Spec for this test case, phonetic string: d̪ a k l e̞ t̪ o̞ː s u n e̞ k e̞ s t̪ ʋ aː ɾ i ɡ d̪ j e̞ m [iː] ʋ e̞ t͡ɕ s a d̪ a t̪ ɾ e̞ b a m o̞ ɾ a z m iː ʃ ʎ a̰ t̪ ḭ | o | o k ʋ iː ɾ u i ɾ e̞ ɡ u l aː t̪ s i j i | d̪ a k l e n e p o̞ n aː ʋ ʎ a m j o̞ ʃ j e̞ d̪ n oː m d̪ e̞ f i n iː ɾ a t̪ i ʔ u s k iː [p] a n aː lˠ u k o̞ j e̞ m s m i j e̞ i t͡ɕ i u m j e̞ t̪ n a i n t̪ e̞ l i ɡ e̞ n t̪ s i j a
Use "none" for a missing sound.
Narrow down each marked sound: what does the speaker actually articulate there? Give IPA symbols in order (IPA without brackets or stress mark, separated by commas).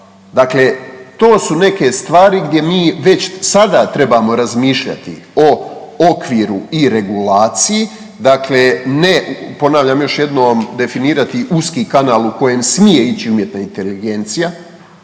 iː, k